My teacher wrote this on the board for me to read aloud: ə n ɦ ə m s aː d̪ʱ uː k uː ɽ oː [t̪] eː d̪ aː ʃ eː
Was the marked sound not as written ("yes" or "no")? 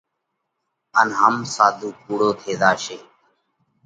yes